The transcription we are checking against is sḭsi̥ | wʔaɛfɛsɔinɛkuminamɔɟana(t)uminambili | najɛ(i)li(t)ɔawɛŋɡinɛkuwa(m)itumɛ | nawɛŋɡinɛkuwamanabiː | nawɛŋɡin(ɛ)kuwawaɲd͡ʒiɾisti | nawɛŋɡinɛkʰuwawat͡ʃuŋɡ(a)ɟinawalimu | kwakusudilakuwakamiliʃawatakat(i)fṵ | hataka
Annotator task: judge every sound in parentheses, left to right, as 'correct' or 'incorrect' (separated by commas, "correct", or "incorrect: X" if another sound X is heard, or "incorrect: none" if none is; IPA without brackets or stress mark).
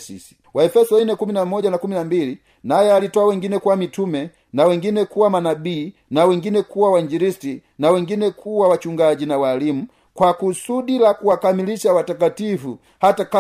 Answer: incorrect: k, incorrect: a, correct, correct, correct, correct, correct